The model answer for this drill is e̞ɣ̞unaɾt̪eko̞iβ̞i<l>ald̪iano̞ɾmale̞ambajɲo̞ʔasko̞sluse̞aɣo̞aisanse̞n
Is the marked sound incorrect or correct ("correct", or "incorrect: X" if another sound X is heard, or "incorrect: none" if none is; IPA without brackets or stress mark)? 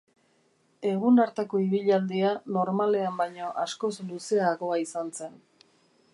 incorrect: ʎ